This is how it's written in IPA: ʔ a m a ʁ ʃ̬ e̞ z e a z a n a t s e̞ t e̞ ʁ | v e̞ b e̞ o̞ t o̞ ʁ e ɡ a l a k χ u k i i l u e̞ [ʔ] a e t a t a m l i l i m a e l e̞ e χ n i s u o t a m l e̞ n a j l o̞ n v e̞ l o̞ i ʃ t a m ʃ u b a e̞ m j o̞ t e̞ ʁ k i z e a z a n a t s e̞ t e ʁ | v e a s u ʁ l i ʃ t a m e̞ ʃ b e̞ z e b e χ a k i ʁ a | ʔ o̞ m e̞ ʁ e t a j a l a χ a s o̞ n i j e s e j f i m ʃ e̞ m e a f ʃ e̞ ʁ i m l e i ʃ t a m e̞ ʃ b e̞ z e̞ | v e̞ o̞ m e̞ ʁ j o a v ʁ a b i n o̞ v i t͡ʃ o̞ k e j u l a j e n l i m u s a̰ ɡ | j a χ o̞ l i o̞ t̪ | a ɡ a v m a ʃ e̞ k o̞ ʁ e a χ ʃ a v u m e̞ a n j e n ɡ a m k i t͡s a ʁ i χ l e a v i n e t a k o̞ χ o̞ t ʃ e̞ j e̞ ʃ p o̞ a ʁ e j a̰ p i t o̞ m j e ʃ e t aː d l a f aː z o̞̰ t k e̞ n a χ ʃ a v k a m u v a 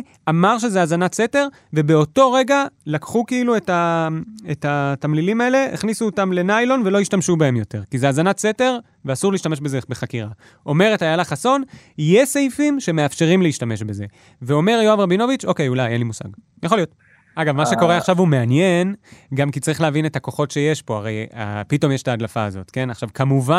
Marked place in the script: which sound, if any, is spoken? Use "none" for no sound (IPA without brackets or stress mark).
t